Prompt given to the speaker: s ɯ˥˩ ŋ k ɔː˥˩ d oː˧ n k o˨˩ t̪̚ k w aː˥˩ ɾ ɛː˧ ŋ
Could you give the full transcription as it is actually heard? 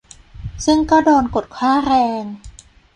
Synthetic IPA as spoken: s ɯ˥˩ ŋ k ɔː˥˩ d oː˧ n k o˨˩ t̪̚ kʰ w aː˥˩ ɾ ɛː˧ ŋ

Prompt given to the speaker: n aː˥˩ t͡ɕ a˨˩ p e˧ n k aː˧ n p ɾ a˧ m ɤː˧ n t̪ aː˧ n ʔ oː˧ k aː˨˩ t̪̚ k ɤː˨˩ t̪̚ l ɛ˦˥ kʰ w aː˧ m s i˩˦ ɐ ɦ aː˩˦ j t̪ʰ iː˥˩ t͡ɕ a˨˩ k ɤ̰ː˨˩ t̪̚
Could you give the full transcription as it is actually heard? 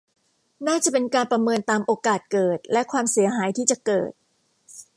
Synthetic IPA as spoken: n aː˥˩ t͡ɕ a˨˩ p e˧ n k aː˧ n p ɾ a˧ m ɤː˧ n t̪ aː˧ m ʔ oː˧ k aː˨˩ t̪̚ k ɤː˨˩ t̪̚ l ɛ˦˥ kʰ w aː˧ m s i˩˦ ɐ ɦ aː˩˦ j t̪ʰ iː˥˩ t͡ɕ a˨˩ k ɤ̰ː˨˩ t̪̚

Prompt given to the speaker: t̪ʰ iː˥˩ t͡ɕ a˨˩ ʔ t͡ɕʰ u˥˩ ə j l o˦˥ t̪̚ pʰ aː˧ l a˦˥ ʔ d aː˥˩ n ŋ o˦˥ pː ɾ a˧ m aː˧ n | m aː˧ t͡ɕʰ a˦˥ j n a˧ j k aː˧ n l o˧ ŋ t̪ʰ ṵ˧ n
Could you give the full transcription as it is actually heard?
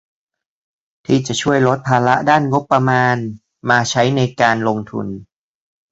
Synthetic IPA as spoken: t̪ʰ iː˥˩ t͡ɕ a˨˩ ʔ t͡ɕʰ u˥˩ ə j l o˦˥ t̪̚ pʰ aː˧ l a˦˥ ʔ d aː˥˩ n ŋ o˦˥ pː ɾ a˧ m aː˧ n | m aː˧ t͡ɕʰ a˦˥ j n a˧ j k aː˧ n l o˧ ŋ t̪ʰ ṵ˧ n

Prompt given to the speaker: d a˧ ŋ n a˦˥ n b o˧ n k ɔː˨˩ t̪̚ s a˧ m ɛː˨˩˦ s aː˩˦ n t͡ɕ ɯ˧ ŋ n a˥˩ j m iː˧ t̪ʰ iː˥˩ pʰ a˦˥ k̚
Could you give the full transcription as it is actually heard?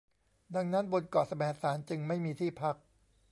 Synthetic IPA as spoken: d a˧ ŋ n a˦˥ n b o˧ n k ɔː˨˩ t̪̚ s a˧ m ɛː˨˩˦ s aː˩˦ n t͡ɕ ɯ˧ ŋ m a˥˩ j m iː˧ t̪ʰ iː˥˩ pʰ a˦˥ k̚

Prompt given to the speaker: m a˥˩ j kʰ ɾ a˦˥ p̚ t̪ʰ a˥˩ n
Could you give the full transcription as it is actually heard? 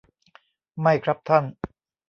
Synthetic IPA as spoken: m a˥˩ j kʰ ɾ a˦˥ p̚ t̪ʰ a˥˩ n

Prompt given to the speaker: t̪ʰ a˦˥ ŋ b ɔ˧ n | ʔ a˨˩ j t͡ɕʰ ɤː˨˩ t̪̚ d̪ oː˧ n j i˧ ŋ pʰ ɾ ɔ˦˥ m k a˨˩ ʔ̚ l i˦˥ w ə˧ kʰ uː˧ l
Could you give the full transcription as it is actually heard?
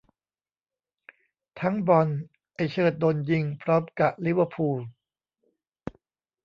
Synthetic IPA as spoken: t̪ʰ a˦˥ ŋ b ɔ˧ n | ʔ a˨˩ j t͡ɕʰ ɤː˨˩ t̪̚ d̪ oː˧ n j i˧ ŋ pʰ ɾ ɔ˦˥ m k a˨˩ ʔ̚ l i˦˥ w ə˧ pʰ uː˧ l

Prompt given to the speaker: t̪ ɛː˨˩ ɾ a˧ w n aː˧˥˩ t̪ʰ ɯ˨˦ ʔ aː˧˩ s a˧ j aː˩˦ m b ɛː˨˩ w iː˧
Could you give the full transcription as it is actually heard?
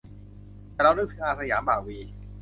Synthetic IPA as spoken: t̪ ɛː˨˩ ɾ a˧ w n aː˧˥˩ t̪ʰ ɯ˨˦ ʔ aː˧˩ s a˧ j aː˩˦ m b aː˨˩ w iː˧

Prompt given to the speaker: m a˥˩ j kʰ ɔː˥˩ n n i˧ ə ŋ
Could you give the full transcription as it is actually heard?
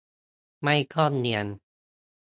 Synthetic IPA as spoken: m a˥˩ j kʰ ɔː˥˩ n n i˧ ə n

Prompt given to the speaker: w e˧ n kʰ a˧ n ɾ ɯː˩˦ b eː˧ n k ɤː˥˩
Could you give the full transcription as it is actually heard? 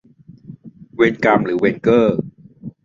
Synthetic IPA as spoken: w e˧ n k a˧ m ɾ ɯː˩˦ w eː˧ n k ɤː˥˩

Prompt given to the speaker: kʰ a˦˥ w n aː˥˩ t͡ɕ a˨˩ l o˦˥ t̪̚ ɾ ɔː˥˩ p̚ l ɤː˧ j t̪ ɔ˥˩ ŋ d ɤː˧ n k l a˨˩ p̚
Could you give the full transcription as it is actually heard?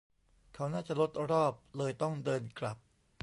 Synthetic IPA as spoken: kʰ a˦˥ w n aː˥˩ t͡ɕ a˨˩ l o˦˥ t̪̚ ɾ ɔː˥˩ p̚ l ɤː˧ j t̪ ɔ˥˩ ŋ d ɤː˧ n k l a˨˩ p̚

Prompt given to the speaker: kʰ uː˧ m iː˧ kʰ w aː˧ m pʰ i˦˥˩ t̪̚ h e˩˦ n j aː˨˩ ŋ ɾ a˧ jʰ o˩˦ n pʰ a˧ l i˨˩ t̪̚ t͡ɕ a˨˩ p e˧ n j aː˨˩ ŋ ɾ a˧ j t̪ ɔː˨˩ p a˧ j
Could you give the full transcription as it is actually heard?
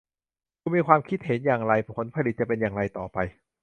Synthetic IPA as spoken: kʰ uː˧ m iː˧ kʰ w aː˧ m kʰ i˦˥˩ t̪̚ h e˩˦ n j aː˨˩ ŋ ɾ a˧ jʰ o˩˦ n pʰ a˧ l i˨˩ t̪̚ t͡ɕ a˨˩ p e˧ n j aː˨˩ ŋ ɾ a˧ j t̪ ɔː˨˩ p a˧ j

